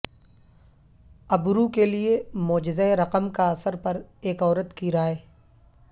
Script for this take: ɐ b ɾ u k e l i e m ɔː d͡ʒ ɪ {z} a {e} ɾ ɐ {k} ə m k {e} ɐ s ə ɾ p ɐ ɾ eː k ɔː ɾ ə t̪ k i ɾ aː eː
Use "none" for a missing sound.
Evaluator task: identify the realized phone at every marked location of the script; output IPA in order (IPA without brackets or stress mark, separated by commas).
z, e, q, a